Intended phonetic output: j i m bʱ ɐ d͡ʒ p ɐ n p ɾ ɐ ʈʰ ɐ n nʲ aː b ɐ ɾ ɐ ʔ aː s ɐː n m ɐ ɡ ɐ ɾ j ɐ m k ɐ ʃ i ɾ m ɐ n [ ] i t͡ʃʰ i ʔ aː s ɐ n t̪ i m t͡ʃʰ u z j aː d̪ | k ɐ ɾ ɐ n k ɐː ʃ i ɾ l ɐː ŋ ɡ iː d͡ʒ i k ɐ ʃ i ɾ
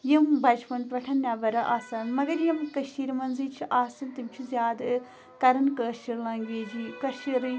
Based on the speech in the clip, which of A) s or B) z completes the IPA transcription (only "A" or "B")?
B